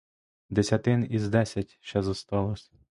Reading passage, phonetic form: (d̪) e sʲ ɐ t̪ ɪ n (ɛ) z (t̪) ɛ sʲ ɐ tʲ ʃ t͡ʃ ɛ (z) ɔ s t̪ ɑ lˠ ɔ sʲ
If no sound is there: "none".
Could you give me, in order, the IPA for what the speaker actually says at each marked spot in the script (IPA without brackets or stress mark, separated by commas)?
d̪, i, d̪, z